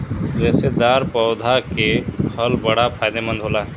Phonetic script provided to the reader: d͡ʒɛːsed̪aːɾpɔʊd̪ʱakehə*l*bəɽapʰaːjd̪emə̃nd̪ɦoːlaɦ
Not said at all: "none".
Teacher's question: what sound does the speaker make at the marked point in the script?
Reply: l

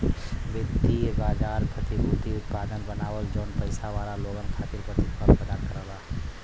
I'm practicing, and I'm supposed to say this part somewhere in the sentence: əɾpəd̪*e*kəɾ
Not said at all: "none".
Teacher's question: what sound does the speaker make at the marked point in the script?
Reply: a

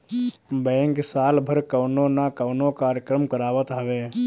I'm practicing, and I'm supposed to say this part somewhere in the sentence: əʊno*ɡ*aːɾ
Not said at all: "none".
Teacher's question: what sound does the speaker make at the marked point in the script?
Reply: k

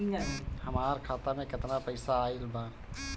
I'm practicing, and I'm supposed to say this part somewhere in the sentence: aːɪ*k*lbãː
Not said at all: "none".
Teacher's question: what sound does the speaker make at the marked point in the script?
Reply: none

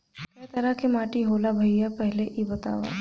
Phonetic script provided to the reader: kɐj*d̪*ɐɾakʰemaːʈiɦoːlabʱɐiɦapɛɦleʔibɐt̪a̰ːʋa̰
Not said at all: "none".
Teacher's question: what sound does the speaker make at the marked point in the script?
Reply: t̪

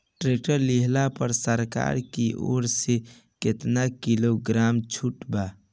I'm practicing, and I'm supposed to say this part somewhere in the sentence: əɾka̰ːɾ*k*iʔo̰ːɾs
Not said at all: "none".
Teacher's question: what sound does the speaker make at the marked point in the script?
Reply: k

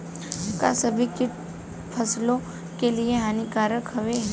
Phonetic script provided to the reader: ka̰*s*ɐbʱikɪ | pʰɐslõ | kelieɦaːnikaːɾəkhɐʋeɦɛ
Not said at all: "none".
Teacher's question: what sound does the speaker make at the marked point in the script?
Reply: s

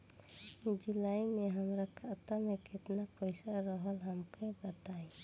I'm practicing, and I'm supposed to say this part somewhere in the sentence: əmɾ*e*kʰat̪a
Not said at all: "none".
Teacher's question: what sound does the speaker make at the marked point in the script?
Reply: a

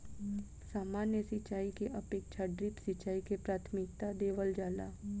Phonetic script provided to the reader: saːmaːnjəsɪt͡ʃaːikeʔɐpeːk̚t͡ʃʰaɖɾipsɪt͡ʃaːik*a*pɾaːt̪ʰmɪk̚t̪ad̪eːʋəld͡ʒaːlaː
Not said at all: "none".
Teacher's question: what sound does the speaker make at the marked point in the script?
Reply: e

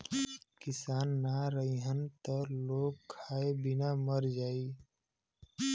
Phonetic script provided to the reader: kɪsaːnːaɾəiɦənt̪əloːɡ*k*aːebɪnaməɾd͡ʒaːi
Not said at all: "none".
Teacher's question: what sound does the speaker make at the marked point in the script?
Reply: kʰ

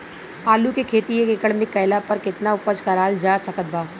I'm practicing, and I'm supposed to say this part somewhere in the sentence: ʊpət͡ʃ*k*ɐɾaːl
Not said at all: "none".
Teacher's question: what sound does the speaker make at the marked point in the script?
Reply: k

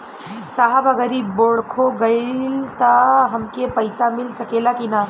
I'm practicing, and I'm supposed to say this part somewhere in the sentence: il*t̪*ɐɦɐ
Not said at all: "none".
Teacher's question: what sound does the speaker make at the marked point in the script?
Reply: t̪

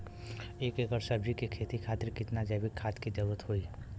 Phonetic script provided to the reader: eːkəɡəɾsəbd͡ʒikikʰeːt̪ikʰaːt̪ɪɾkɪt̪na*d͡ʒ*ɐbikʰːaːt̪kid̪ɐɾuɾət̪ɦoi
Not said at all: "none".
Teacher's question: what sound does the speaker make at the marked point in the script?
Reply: d͡ʒ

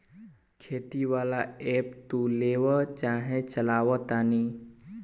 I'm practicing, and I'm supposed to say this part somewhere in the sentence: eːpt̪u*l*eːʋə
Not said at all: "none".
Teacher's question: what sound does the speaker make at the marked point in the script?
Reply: l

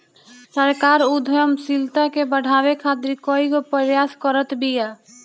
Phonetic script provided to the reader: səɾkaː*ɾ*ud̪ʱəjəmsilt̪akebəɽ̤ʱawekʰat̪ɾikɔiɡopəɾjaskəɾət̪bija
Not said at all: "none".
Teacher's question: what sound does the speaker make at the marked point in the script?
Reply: ɾ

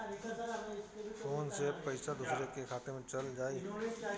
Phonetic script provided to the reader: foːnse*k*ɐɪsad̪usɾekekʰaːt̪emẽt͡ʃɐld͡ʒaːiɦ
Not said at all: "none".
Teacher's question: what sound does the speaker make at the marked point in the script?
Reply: p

